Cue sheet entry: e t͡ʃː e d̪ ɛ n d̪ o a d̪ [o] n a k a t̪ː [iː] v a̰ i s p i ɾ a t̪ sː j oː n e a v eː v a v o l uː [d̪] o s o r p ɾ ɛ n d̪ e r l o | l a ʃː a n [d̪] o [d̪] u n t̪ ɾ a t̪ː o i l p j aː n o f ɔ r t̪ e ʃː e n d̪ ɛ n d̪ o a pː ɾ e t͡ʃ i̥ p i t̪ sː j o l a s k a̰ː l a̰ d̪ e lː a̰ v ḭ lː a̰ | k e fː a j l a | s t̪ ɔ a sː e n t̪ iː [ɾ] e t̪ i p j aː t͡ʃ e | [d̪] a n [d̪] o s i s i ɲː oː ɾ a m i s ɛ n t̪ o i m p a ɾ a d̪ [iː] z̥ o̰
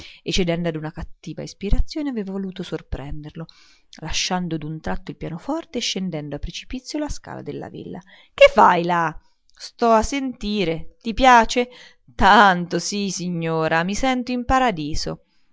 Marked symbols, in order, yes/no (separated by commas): no, yes, no, yes, yes, yes, no, no, yes